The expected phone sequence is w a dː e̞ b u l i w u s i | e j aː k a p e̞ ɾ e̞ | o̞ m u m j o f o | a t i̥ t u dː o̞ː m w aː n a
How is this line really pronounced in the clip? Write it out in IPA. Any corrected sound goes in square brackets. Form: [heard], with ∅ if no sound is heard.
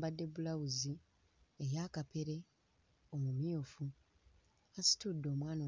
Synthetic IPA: [b] a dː e̞ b u l [a] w u [z] i | e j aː k a p e̞ ɾ e̞ | o̞ m u m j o f [u] | a [s] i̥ t u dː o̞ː m w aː n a